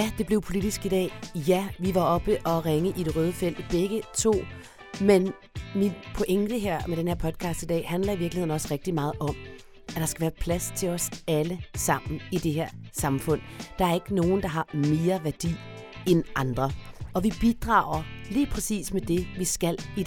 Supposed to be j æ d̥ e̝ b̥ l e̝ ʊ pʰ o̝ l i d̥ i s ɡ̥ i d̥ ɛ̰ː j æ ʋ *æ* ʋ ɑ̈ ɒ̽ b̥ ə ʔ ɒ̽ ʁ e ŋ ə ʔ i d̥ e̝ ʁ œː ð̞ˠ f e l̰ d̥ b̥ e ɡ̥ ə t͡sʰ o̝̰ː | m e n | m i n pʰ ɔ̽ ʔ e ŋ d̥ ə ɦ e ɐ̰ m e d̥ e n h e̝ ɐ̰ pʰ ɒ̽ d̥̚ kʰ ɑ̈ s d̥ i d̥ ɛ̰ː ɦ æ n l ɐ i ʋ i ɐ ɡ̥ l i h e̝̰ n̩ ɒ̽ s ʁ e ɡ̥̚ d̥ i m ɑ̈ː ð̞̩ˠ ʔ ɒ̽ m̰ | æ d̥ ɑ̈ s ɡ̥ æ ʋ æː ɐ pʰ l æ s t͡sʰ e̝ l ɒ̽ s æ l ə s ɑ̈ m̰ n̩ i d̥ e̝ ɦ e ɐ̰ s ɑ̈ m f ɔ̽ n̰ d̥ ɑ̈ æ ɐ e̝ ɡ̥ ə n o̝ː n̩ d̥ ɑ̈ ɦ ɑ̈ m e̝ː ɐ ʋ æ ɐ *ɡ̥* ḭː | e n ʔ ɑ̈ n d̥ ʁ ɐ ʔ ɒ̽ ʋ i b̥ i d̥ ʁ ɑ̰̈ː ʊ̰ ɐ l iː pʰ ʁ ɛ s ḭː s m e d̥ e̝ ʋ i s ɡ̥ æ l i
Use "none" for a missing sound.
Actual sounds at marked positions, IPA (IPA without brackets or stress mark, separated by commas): i, d̥